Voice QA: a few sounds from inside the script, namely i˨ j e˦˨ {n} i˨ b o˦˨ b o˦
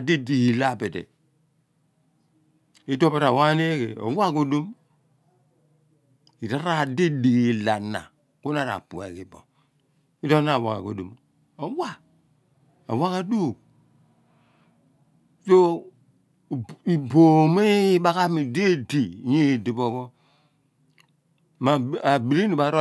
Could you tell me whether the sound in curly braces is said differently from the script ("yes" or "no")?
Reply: yes